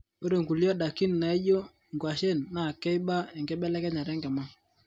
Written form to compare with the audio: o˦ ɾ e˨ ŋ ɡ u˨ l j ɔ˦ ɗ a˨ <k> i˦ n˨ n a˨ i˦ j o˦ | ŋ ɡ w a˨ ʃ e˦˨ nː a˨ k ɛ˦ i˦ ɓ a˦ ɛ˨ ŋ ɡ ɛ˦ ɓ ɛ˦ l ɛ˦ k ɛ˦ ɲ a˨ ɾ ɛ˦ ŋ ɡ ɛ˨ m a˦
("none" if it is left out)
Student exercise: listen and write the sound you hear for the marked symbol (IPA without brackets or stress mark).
k